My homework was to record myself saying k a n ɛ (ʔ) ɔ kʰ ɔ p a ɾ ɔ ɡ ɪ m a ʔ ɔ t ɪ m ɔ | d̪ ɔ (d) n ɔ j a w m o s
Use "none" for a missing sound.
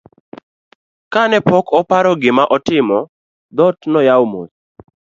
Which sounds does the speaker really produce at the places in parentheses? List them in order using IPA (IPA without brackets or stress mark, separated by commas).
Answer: p, t